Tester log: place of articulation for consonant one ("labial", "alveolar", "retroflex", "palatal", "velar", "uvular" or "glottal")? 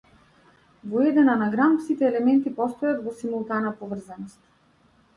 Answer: labial